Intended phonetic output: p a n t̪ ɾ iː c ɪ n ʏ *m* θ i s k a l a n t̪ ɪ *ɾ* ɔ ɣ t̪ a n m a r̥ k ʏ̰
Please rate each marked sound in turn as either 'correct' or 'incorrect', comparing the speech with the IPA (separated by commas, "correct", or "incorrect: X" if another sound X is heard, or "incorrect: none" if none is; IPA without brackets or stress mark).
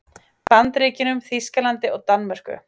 correct, incorrect: none